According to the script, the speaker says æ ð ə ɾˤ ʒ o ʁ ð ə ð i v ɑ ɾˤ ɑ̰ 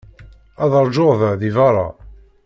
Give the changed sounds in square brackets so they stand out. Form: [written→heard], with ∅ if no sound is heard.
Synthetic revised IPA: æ ð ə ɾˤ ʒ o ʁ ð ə ð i v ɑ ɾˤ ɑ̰

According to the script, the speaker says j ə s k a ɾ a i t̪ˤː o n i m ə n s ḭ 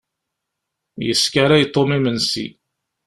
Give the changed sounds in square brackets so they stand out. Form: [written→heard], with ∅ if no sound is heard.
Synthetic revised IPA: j ə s k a ɾ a [i→j] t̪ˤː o [n→m] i m ə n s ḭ

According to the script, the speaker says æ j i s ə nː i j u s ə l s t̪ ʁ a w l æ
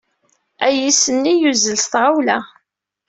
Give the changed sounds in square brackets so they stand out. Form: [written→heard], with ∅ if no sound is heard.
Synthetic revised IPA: æ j i s ə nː i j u [s→z] ə l s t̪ ʁ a w l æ

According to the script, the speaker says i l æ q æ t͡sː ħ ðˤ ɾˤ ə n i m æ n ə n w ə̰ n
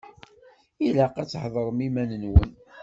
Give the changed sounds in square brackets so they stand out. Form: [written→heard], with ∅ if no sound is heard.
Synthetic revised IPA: i l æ q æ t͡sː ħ ðˤ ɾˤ ə [n→m] i m æ n ə n w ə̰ n

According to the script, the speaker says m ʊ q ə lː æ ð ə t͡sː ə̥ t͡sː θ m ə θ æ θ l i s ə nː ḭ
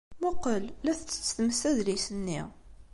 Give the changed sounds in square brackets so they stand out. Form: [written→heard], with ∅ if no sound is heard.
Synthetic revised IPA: m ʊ q ə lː æ [ð→θ] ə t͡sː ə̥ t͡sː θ m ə [θ→s] æ [θ→ð] l i s ə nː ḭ

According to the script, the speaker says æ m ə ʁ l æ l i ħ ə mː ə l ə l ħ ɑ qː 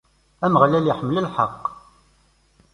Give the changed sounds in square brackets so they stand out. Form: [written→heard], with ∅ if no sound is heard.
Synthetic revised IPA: æ m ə ʁ l æ l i ħ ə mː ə l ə l ħ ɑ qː

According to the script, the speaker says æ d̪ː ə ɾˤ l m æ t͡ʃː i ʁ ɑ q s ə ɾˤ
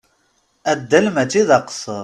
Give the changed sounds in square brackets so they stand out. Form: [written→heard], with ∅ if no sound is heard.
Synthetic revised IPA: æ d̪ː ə [ɾˤ→∅] l m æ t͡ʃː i [ʁ→ð] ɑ q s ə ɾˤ

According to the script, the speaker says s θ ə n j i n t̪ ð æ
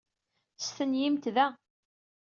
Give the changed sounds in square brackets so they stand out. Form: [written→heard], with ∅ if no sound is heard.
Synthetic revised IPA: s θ ə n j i [n→m] t̪ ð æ

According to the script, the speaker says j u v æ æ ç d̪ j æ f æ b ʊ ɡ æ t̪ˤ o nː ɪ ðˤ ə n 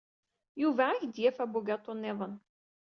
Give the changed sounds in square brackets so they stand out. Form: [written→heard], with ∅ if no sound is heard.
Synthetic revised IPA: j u v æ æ ç d̪ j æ f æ b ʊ ɡ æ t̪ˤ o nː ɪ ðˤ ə n

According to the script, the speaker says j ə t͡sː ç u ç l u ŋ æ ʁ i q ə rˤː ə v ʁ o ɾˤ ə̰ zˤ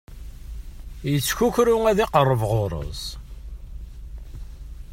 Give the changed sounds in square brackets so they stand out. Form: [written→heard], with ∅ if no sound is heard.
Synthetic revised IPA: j ə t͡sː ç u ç [l→ɾ] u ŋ æ [ʁ→ð] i q ə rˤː ə v ʁ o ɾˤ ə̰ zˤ

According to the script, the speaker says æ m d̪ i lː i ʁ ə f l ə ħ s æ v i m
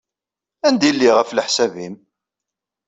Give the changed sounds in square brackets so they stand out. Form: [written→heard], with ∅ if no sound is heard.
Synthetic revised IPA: æ [m→n] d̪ i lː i ʁ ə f l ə ħ s æ v i m

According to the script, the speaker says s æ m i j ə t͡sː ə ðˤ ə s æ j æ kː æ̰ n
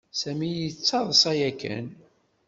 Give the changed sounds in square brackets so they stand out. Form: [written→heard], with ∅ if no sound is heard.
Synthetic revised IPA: s æ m i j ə t͡sː [ə→ɑ] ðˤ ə s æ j æ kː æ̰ n

